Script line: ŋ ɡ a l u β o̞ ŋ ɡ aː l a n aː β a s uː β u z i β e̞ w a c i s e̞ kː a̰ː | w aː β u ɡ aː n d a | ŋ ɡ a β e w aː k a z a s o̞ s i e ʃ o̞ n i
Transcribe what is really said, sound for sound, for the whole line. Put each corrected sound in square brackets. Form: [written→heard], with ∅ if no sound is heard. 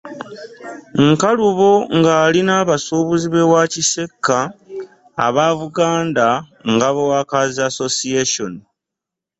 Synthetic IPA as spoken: ŋ [ɡ→k] a l u β o̞ ŋ ɡ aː l [a→i] n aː β a s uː β u z i β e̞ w a c i s e̞ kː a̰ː | [w→β] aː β u ɡ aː n d a | ŋ ɡ a β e w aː k a z a s o̞ s i e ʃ o̞ n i